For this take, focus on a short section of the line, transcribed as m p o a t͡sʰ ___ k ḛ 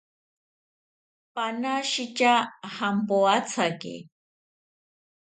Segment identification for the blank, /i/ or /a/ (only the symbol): a